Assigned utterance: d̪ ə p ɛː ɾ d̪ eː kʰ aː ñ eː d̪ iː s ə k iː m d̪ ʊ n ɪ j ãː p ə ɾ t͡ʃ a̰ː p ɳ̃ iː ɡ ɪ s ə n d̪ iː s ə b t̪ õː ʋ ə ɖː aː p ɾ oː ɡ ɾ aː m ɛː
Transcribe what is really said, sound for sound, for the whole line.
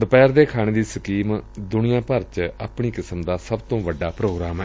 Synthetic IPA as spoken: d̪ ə p ɛː ɾ d̪ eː kʰ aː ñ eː d̪ iː s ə k iː m d̪ ʊ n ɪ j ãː p ə ɾ t͡ʃ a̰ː p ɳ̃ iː k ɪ s ə m d̪ aː s ə b t̪ õː ʋ ə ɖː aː p ɾ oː ɡ ɾ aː m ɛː